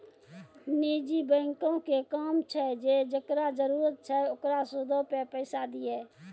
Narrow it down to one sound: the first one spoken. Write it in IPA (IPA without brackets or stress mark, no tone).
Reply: n